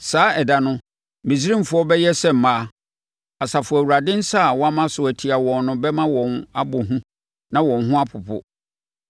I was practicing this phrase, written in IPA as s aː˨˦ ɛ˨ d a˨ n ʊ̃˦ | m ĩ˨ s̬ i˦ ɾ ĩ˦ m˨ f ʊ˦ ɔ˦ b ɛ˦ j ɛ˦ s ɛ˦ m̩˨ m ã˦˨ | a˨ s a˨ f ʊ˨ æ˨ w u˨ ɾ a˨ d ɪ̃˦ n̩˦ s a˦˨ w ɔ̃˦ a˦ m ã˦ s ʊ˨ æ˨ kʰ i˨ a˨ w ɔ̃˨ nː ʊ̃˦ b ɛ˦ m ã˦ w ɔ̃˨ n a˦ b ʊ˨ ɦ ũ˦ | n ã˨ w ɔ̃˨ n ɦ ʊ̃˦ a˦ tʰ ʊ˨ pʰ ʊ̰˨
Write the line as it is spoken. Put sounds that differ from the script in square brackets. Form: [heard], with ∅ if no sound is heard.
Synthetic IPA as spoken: s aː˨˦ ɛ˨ d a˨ n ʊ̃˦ | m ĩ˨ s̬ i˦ ɾ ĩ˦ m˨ f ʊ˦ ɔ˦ b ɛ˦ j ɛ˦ s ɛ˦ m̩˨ m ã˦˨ | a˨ s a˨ f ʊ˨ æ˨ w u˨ ɾ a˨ d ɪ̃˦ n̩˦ s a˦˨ w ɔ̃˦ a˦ m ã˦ s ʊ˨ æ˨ [tʰ] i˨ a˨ w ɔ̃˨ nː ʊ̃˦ b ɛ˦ m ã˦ w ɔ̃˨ n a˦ b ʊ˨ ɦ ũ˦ | n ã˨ w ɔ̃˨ n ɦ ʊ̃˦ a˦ [pʰ] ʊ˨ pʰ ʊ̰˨